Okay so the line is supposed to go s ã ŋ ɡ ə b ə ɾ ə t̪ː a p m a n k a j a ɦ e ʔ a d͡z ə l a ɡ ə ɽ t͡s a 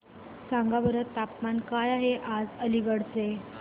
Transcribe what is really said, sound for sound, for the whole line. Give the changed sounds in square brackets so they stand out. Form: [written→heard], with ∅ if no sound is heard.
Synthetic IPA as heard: s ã ŋ ɡ [ə→a] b ə ɾ ə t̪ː a p m a n k a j a ɦ e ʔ a d͡z ə l [a→i] ɡ ə ɽ t͡s [a→e]